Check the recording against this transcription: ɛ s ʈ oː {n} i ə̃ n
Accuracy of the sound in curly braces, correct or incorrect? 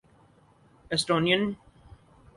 correct